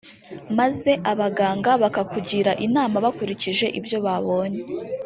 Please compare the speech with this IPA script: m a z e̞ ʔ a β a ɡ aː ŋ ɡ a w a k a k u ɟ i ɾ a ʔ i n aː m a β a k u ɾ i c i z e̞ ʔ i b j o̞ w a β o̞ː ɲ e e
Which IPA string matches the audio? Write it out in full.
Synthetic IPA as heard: m a z e̞ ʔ a β a ɡ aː ŋ ɡ a β a k a k u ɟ i ɾ a ʔ i n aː m a β a k u ɾ i c i ʒ e̞ ʔ i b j o̞ β a β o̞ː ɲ e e